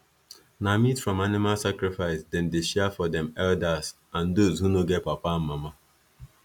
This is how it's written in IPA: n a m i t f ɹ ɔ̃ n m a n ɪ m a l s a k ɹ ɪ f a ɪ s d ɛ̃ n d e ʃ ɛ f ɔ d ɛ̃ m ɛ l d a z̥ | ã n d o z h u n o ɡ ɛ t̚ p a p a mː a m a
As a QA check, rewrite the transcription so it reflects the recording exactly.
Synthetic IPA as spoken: n a m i t f ɹ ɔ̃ m a n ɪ m a l s a k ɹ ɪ f a ɪ s d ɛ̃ n d e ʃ ɛ f ɔ d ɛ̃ m ɛ l d a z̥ | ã n d o z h u n o ɡ ɛ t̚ p a p a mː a m a

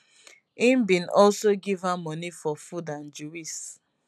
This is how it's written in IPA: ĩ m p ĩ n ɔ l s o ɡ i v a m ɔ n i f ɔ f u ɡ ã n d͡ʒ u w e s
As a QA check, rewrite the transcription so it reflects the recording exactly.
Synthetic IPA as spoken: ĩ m b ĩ n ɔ l s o ɡ i v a m ɔ n i f ɔ f u d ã n d͡ʒ u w i s

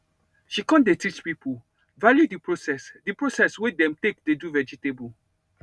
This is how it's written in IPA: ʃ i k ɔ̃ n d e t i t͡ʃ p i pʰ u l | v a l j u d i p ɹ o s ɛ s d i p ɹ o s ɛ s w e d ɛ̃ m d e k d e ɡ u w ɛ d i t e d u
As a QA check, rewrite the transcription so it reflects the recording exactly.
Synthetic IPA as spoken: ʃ i k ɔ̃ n d e t i t͡ʃ p i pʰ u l | v a l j u d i p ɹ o s ɛ s d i p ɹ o s ɛ s w e d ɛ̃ m t e k d e d u v ɛ d͡ʒ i t e b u

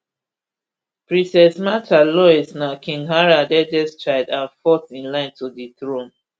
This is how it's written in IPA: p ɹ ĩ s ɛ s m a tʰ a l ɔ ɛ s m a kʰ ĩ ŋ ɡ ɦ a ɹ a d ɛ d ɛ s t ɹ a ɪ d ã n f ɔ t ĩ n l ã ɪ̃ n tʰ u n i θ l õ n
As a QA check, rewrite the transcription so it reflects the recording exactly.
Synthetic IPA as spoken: p ɹ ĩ s ɛ s m a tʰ a l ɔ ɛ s n a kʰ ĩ ŋ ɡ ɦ a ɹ a d ɛ d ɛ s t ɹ a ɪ d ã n f ɔ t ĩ n l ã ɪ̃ n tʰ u d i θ ɹ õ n

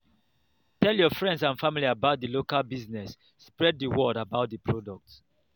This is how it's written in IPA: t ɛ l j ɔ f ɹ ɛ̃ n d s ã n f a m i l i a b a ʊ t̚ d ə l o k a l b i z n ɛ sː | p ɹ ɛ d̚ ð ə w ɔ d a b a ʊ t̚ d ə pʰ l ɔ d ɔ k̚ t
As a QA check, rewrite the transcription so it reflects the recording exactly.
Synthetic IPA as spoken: t ɛ l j ɔ f ɹ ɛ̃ n d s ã n f a m i l i a b a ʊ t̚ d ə l o k a l b i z n ɛ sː | p ɹ ɛ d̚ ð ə w ɔ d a b a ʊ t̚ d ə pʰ ɹ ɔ d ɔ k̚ t

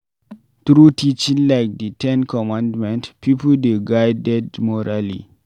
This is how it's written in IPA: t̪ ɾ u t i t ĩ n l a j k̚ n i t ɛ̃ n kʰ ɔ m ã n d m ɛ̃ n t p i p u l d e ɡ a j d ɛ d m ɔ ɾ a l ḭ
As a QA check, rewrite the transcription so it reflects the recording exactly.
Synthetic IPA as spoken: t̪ ɾ u t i t͡ʃ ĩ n l a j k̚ d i t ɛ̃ n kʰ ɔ m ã n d m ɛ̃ n t p i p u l d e ɡ a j d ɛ d m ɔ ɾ a l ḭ

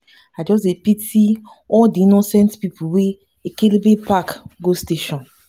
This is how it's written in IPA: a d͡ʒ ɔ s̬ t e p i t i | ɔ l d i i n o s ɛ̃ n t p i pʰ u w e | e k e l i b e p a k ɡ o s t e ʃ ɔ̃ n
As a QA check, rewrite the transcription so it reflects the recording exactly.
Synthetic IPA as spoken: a d͡ʒ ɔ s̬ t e p i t i | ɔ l d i i n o s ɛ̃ n t p i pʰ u w e | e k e l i b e p a k ɡ o s t e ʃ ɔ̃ n

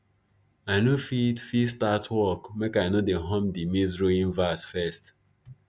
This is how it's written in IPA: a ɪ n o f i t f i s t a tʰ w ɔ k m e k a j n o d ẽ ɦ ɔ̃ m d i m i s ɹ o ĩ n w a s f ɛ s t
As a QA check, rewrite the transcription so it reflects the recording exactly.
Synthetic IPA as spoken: a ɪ n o f i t f i s t a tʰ w ɔ k m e k a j n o d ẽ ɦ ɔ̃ m d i m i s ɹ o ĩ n v a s f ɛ s t

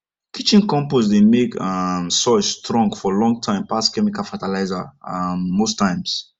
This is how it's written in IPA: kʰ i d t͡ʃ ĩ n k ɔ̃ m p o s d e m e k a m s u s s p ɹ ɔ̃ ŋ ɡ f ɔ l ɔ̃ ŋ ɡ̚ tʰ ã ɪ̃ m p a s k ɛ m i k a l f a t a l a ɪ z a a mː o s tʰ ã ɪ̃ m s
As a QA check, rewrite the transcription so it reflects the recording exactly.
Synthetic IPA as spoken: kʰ i t͡ʃ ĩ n k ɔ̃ m p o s d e m e k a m s ɔ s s t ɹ ɔ̃ ŋ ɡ f ɔ l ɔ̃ ŋ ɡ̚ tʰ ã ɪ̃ m p a s k ɛ m i k a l f a t a l a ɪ z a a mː o s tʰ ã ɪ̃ m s

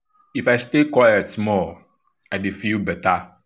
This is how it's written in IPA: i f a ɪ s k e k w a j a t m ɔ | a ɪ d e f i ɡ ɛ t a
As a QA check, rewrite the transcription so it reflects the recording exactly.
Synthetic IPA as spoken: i f a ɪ s t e k w a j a t m ɔ | a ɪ d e f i b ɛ t a

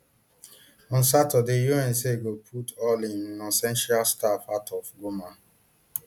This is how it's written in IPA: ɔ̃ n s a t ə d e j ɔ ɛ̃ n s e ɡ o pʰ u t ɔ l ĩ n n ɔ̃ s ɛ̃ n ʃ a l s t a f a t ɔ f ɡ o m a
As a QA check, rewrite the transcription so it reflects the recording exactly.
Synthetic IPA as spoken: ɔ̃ n s a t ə d e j u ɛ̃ n s e ɡ o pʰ u t ɔ l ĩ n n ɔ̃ s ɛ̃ n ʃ a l s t a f a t ɔ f ɡ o m a

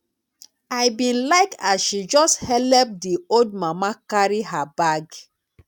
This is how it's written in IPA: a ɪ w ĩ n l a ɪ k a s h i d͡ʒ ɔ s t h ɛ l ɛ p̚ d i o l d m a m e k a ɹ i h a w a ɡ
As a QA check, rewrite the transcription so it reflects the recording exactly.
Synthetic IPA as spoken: a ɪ b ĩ n l a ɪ k a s ʃ i d͡ʒ ɔ s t h ɛ l ɛ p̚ d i o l d m a m a k a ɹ i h a b a ɡ

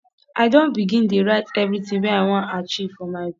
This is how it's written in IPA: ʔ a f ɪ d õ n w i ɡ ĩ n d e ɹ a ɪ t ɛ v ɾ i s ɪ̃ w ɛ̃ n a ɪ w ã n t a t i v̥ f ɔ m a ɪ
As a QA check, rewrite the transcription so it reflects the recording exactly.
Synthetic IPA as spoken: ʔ a ɪ d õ n b i ɡ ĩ n d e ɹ a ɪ t ɛ v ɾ i t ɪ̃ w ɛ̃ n a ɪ w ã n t a t͡ʃ i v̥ f ɔ m a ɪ

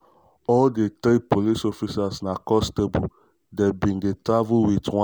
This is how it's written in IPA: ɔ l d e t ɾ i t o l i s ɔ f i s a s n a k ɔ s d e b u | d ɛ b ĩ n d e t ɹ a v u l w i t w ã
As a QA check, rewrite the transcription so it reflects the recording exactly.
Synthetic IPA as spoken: ɔ l d e t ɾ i p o l i s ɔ f i s a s n a k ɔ s t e b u | d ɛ b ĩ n d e t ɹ a v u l w i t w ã

